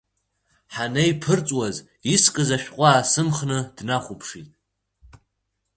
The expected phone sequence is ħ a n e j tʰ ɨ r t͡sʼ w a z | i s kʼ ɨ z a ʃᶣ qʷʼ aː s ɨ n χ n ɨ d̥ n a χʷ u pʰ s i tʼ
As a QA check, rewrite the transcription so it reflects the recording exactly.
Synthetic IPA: ħ a n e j pʰ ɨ r t͡sʼ w a z | i s kʼ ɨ z a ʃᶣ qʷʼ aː s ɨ m χ n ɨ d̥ n a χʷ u pʰ ʂ i tʼ